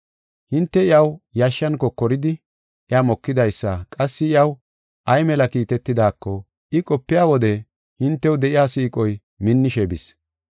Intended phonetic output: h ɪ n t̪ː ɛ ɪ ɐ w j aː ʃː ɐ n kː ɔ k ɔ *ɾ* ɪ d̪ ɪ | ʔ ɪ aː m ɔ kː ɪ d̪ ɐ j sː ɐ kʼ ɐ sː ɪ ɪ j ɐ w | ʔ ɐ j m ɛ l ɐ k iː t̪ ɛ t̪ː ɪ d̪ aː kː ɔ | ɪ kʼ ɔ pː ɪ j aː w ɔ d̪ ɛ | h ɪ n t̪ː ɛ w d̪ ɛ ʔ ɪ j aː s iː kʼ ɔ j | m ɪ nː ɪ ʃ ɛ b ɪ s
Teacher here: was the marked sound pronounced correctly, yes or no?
yes